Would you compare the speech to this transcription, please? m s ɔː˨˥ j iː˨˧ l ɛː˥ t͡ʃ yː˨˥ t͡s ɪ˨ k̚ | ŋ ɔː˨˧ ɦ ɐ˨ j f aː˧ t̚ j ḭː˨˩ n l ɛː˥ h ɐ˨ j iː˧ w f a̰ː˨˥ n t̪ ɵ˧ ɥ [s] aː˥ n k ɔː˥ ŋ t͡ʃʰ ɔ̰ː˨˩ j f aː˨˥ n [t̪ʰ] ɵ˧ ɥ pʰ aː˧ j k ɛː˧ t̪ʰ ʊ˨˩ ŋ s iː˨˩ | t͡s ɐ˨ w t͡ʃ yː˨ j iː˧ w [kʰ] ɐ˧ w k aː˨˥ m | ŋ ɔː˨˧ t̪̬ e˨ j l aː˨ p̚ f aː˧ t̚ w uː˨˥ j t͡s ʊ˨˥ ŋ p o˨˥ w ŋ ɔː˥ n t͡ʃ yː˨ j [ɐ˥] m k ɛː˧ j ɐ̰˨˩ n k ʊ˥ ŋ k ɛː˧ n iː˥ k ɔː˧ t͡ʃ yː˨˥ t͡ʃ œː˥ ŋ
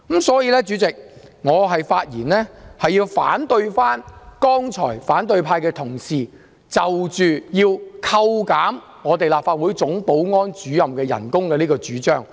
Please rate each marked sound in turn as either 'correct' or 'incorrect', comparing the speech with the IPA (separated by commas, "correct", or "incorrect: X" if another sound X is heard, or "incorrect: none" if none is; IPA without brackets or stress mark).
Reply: incorrect: f, incorrect: t̪, correct, incorrect: ɐ˨